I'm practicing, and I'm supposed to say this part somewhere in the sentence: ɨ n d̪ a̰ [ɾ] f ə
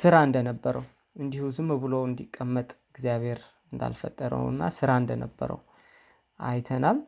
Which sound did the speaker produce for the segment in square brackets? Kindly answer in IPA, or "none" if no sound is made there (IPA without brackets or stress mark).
l